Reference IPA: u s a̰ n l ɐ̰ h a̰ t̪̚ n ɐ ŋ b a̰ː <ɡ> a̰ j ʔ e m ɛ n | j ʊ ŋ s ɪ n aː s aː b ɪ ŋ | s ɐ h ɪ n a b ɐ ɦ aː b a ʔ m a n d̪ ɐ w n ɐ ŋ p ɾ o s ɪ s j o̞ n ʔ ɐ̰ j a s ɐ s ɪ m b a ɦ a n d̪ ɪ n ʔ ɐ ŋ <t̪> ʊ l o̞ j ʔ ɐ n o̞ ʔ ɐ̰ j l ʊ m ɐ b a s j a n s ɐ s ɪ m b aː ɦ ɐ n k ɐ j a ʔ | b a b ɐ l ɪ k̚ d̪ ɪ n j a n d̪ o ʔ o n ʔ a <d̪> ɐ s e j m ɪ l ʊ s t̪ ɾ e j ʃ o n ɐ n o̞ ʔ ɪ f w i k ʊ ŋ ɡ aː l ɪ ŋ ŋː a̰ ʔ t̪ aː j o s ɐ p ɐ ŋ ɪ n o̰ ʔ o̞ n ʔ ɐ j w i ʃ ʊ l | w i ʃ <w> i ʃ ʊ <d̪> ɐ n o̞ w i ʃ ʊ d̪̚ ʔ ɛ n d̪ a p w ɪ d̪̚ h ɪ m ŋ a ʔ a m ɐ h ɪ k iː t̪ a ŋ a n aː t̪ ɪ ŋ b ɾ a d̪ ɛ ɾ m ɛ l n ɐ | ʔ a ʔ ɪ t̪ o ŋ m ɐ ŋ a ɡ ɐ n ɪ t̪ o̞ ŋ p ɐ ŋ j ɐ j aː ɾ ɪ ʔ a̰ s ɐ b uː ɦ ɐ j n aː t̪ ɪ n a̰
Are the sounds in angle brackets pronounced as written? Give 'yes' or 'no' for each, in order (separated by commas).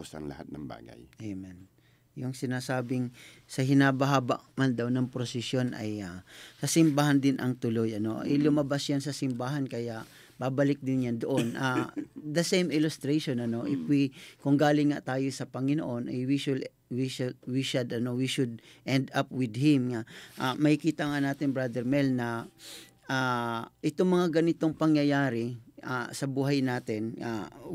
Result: yes, yes, yes, yes, yes